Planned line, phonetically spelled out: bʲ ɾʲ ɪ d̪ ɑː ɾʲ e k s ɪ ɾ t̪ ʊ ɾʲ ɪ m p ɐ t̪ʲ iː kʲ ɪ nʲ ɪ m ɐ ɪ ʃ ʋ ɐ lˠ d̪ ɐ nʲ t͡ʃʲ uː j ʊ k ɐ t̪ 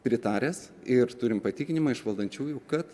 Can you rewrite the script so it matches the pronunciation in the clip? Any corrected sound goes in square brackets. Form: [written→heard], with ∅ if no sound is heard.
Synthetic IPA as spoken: [bʲ→pʲ] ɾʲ ɪ [d̪→t̪] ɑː ɾʲ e [k→∅] s ɪ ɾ t̪ ʊ ɾʲ ɪ m p ɐ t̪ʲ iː kʲ ɪ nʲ ɪ m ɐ ɪ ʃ ʋ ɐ lˠ d̪ ɐ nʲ t͡ʃʲ uː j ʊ k ɐ t̪